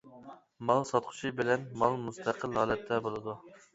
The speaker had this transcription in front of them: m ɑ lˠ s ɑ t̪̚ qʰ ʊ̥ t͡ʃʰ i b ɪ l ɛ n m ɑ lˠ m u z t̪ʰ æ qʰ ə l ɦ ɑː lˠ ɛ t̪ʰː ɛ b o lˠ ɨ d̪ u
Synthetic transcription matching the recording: m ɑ lˠ s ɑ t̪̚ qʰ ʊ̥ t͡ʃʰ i b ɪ l ɛ n m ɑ lˠ m u s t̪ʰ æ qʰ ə l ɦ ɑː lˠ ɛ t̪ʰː ɛ b o lˠ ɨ d̪ u